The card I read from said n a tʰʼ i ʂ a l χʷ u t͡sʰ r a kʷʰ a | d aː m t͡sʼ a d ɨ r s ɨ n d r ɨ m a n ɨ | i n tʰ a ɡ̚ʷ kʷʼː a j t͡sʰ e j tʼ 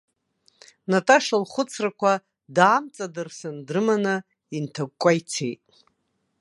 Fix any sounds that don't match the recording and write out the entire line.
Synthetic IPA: n a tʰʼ a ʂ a l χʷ ʊ t͡sʰ r a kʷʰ a | d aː m t͡sʼ a d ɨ r s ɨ n d r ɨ m a n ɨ | i n tʰ a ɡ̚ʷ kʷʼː a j t͡sʰ e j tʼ